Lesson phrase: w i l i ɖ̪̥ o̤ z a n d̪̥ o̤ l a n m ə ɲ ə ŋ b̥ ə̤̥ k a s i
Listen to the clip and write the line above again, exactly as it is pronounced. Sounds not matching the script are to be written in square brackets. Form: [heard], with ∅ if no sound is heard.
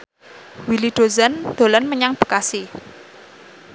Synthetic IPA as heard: w i l i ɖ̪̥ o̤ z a n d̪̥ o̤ l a n m ə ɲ [a] ŋ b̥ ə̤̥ k a s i